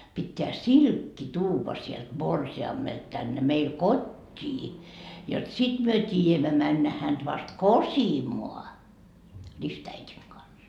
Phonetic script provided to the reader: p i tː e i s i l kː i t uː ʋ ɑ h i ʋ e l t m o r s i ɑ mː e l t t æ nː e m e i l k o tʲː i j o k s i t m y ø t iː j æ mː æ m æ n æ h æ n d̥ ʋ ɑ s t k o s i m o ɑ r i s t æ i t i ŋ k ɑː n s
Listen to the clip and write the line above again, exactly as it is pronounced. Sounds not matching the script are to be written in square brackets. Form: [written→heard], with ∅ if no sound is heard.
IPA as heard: p i tː e [i→æ] s i l kː i t uː ʋ ɑ [h→s] i [ʋ→∅] e l t m o r s i ɑ mː e l t t æ nː e m e i l k o tʲː [i→iː] j o [k→t] s i t m y ø t iː j æ mː æ m æ [n→nː] æ h æ n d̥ ʋ ɑ s t k o s i m o ɑ r i s t æ i t i ŋ k [ɑː→ɑ] n s